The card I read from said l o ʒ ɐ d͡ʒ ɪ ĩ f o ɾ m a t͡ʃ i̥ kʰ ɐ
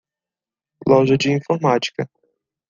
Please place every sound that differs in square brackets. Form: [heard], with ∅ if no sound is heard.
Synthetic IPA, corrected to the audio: l [ɔ] ʒ ɐ d͡ʒ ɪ ĩ f o ɾ m a t͡ʃ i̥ [k] ɐ